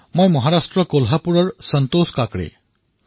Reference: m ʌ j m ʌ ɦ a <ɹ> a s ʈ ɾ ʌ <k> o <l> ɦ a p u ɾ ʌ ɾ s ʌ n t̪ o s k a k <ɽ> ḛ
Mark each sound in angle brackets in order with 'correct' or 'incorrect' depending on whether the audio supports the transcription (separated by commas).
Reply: incorrect, correct, correct, correct